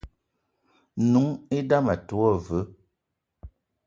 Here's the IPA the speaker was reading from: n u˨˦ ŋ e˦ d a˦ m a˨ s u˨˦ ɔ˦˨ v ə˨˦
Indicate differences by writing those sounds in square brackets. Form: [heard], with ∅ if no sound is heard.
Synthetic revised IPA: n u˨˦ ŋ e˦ d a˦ m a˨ [t] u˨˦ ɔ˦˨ v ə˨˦